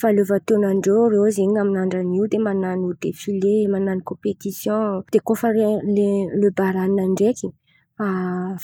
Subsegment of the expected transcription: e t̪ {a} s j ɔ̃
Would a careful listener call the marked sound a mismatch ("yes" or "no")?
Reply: yes